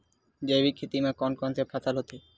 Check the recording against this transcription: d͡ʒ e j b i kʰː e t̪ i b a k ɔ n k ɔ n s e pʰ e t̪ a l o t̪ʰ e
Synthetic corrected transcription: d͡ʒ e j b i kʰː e t̪ i m a k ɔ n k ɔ n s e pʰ a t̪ a l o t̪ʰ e